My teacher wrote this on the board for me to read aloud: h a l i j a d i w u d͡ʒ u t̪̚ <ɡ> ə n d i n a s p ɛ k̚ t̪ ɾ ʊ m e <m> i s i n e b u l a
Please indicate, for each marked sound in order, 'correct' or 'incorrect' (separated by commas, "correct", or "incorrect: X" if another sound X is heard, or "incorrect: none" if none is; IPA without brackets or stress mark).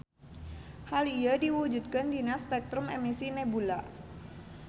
incorrect: k, correct